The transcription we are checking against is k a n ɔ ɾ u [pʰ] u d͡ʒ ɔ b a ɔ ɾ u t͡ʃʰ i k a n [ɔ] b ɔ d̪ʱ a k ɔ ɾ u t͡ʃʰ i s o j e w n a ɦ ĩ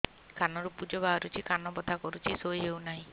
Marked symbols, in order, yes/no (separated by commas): no, yes